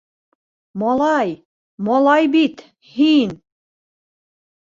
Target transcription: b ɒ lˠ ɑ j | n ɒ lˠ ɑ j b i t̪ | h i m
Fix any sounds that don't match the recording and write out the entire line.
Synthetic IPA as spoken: m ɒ lˠ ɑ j | m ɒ lˠ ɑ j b i t̪ | h i n